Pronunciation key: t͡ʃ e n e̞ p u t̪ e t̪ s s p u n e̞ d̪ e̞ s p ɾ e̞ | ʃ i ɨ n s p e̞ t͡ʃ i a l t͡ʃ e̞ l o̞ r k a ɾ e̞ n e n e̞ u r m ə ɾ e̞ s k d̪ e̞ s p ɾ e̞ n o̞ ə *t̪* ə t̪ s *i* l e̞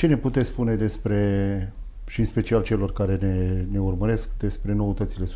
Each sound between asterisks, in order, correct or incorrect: correct, correct

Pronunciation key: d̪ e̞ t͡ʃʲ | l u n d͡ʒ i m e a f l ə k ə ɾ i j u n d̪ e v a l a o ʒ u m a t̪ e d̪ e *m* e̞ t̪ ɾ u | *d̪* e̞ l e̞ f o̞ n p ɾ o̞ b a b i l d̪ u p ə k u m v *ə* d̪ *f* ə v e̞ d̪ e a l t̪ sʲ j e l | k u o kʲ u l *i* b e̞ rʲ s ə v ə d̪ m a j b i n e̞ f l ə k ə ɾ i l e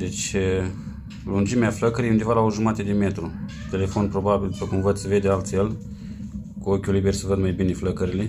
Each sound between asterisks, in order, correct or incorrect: correct, incorrect: t̪, correct, incorrect: s, correct

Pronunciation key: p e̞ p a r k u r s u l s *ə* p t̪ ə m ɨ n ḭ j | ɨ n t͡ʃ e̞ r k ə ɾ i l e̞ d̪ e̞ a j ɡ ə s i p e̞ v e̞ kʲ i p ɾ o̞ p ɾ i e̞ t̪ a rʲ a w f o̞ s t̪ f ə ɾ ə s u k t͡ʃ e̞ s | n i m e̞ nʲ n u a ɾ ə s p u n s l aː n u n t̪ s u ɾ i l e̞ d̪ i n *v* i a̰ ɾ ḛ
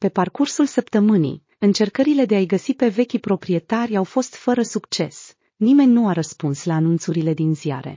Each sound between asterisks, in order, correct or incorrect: correct, incorrect: z

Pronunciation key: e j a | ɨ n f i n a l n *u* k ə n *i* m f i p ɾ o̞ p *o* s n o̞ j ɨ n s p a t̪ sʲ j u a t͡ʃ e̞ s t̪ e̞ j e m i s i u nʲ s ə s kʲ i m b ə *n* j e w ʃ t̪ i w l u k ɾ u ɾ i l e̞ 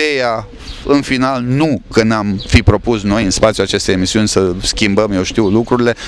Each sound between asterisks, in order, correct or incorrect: correct, incorrect: a, incorrect: u, incorrect: m

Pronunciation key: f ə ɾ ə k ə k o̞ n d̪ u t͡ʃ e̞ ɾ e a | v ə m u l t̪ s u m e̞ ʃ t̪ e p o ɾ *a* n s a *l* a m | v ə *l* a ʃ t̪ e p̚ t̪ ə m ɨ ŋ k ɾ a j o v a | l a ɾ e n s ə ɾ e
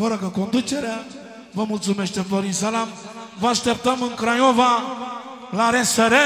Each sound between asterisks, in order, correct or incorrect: incorrect: i, correct, incorrect: none

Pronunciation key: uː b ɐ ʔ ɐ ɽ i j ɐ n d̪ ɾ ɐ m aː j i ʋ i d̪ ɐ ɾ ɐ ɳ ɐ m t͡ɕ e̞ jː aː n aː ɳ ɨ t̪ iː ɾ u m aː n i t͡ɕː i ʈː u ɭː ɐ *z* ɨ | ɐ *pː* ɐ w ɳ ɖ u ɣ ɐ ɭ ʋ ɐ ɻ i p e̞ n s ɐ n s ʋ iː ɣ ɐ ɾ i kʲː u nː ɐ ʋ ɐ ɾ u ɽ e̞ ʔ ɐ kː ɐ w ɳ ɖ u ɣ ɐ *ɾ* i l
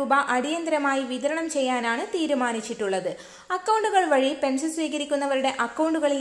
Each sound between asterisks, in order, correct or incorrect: incorrect: ð, incorrect: kː, incorrect: ɭ

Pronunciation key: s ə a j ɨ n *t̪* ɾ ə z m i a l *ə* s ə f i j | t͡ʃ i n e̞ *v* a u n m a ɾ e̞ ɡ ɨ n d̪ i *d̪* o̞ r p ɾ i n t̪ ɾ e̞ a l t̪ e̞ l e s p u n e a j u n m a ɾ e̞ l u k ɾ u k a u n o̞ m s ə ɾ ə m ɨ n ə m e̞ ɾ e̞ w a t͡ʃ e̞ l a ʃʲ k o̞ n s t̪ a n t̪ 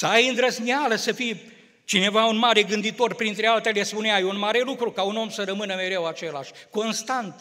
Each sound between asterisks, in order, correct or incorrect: incorrect: d̪, correct, correct, incorrect: t̪

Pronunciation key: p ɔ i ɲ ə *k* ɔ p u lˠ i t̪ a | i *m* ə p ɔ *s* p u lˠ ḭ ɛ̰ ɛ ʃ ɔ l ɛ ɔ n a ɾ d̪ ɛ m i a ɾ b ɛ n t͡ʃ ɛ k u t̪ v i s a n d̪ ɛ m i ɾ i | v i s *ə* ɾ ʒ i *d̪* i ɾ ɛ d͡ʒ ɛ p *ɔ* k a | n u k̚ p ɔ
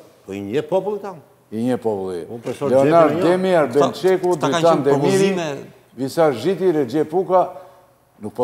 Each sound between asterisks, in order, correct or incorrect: incorrect: p, incorrect: ɲ, incorrect: none, incorrect: a, incorrect: t̪, incorrect: u

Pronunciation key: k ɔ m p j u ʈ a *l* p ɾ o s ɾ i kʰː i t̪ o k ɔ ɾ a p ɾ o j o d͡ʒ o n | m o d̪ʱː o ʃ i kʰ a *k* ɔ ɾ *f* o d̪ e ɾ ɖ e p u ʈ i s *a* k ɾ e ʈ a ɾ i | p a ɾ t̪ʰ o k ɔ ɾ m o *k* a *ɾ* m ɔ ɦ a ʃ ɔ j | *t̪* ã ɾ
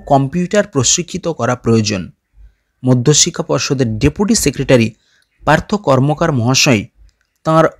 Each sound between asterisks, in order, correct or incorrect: incorrect: ɾ, incorrect: p, incorrect: ʃ, incorrect: e, correct, correct, correct

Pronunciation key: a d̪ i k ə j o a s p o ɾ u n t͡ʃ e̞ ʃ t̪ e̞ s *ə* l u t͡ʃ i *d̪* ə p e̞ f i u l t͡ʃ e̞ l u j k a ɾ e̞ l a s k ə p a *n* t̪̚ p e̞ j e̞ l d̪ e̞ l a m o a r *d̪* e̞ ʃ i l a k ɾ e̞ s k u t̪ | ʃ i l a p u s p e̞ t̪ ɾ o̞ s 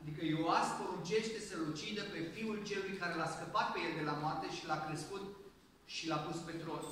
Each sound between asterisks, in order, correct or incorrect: correct, correct, incorrect: none, incorrect: t̪

